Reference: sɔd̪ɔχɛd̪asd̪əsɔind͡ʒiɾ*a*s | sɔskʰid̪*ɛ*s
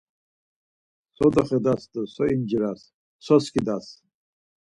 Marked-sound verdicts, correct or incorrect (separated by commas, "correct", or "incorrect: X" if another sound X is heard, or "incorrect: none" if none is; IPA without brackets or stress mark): correct, incorrect: a